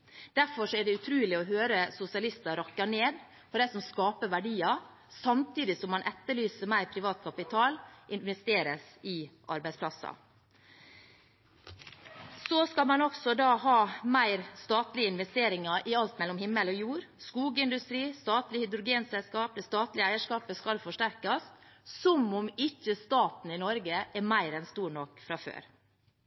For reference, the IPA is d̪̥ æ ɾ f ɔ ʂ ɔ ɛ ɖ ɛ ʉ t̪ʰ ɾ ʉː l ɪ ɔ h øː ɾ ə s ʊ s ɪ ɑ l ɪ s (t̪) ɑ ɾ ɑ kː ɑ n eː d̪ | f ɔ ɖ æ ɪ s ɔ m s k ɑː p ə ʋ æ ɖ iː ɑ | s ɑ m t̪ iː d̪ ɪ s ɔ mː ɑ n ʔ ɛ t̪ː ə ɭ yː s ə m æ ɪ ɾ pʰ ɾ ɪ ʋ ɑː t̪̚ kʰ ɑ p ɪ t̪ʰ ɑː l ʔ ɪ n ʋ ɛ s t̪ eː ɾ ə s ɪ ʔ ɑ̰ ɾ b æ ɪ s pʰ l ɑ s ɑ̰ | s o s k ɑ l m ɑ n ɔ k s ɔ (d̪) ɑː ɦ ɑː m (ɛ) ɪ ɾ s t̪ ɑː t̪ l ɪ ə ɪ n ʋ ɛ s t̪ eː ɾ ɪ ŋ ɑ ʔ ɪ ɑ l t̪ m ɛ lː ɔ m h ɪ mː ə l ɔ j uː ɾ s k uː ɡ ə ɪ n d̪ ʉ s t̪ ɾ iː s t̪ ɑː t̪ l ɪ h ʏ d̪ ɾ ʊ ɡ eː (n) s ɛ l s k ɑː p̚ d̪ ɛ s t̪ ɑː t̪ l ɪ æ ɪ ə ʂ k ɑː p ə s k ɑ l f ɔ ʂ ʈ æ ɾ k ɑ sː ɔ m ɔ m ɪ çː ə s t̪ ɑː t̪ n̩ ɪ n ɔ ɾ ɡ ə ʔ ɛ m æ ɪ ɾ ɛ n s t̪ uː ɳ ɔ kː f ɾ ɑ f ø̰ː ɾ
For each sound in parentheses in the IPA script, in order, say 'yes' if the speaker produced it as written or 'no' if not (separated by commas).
yes, yes, no, yes